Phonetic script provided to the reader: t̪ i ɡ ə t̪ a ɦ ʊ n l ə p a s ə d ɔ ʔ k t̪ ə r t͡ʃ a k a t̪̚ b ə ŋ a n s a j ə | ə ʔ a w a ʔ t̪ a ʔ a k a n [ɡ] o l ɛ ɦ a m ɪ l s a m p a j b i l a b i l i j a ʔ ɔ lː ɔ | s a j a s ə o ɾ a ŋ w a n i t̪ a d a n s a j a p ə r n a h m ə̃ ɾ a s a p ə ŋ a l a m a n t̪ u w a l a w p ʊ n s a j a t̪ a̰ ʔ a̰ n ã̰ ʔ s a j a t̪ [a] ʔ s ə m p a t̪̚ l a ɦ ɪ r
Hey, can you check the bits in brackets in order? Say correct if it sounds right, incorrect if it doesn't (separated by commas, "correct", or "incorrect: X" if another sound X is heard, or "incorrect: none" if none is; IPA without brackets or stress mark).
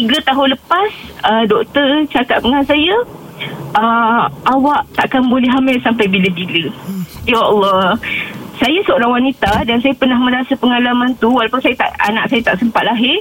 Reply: incorrect: b, correct